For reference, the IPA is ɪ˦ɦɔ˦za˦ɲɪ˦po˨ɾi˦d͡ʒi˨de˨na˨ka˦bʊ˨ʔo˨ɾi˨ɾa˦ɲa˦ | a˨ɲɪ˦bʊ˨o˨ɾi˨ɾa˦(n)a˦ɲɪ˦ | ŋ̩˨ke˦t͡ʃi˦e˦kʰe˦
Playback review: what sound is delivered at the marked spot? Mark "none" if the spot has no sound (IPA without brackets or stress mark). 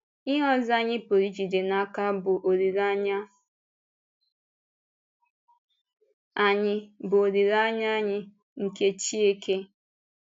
ɲ